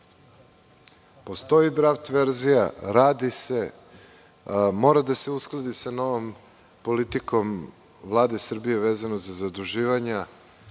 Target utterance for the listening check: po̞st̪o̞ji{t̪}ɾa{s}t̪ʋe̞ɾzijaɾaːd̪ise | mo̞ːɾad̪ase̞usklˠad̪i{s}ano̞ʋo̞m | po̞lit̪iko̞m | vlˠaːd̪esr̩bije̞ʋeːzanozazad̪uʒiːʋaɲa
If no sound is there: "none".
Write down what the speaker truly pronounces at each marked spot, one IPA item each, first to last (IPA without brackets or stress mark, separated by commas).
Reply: d̪, f, s